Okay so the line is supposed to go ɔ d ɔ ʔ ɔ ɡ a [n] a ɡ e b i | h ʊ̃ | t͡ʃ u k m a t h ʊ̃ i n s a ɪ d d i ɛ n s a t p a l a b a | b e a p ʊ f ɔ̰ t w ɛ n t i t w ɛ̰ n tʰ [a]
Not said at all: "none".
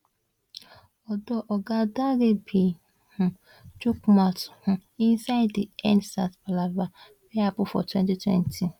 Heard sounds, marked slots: d, i

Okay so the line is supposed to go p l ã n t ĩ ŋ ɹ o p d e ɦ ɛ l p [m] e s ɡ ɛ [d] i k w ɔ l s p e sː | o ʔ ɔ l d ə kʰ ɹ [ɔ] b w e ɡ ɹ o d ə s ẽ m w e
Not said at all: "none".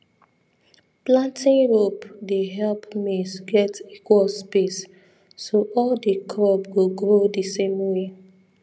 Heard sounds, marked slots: m, t, ɔ

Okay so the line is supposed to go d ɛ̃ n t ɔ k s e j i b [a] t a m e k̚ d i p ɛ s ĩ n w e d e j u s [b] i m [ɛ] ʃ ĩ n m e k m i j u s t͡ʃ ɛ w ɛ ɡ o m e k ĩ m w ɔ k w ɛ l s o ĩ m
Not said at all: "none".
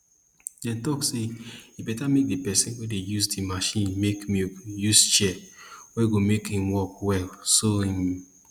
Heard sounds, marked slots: ɛ, d, a

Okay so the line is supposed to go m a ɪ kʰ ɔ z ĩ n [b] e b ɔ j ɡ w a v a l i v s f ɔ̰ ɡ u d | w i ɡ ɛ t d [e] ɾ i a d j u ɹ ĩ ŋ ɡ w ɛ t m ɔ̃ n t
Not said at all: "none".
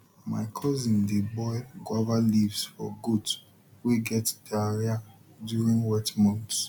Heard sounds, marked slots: d, a

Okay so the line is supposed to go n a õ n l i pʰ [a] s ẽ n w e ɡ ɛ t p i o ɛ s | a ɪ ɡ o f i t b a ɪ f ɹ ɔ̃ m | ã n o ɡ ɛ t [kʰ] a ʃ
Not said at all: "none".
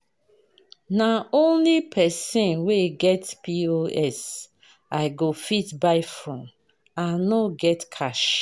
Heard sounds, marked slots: ɛ, kʰ

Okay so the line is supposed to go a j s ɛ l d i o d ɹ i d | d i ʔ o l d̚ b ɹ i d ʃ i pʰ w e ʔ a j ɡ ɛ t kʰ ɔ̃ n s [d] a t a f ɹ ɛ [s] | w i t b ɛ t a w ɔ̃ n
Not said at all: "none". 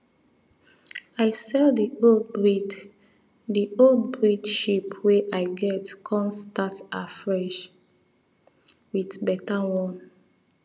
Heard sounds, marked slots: t, ʃ

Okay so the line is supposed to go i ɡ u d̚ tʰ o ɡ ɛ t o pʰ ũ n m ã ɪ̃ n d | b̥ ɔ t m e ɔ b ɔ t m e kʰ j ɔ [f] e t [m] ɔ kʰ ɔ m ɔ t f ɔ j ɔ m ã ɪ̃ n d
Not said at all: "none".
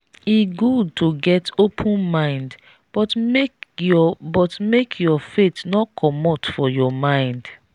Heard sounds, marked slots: f, n

